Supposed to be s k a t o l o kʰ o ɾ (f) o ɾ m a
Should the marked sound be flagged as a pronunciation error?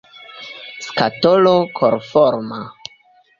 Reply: no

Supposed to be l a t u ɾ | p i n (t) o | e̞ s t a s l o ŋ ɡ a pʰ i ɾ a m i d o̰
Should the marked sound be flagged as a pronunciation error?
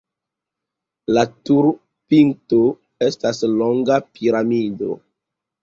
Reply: no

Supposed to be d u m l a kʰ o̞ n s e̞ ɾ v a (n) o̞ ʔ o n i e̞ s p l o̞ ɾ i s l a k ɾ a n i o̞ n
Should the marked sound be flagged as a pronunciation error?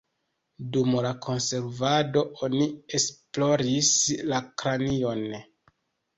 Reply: yes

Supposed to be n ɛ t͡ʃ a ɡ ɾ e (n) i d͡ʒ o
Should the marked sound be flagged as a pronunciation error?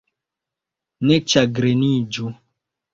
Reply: no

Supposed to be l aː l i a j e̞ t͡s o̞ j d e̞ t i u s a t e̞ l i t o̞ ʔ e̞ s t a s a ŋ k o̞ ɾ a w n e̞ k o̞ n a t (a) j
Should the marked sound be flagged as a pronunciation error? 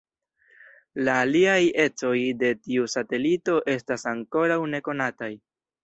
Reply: no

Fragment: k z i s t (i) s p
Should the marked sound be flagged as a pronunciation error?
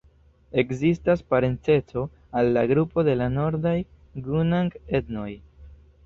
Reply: yes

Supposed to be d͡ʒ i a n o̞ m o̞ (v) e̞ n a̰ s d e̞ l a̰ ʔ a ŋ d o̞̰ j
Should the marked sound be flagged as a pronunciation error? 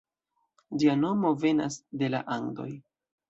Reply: no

